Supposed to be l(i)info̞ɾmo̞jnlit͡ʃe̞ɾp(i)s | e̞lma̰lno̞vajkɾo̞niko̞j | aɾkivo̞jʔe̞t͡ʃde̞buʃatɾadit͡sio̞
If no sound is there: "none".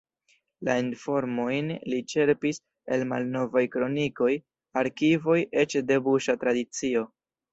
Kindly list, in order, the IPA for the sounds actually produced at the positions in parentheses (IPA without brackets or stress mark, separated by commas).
a, i